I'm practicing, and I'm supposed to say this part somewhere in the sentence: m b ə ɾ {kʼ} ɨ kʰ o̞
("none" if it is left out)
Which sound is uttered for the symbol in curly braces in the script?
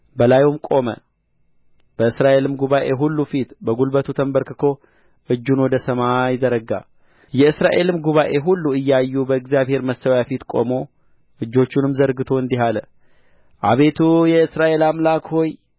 k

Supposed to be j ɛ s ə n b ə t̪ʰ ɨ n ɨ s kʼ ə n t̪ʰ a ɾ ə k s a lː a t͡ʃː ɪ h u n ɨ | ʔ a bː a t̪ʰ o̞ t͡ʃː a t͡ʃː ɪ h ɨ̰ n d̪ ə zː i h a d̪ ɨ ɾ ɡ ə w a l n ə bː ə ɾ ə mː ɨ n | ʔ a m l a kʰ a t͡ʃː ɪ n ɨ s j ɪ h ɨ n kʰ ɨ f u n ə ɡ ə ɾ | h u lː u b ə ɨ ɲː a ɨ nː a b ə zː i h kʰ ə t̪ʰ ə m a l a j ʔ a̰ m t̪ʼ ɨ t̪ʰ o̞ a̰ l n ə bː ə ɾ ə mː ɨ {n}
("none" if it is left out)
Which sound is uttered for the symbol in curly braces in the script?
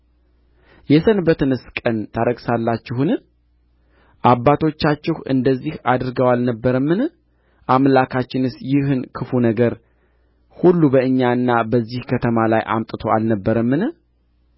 n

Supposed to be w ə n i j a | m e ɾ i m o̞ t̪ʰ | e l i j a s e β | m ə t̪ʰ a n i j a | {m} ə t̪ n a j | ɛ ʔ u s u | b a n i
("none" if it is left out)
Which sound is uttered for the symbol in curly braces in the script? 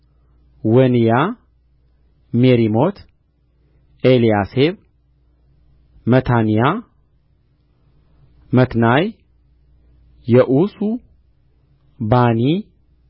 m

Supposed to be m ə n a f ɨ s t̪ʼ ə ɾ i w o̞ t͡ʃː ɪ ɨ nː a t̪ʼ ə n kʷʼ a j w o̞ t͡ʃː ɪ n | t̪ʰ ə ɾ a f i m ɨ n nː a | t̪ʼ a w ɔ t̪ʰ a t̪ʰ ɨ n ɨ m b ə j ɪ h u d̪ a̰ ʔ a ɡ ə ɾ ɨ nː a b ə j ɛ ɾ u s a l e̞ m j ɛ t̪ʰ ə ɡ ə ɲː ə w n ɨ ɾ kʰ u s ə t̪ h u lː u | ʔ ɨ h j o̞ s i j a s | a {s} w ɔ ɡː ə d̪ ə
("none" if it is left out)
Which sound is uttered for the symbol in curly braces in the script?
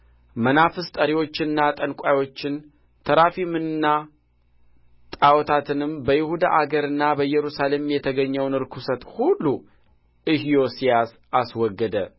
s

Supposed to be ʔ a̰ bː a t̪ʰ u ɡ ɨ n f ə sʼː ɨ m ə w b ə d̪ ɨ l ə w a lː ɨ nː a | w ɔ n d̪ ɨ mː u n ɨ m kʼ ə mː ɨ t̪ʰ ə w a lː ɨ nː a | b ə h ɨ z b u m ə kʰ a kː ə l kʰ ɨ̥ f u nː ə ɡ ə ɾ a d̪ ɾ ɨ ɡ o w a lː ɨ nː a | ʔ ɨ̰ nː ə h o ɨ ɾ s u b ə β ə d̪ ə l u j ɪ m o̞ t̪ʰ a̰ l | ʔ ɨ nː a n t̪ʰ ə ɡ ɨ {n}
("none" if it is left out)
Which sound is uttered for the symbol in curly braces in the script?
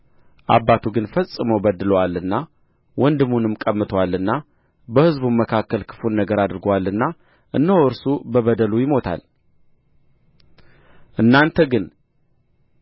n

